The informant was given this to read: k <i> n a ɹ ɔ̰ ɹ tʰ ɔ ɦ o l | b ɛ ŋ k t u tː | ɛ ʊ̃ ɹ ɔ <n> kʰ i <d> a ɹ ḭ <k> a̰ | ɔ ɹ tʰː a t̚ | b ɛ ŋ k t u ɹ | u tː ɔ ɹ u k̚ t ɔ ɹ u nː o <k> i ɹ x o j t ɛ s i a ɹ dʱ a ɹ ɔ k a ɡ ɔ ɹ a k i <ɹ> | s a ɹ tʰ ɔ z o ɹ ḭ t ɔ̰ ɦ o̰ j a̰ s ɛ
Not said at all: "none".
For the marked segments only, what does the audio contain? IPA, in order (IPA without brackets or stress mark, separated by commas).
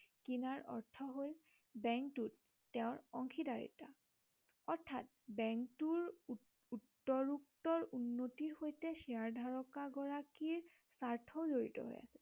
i, ŋ, d, t, t, ɹ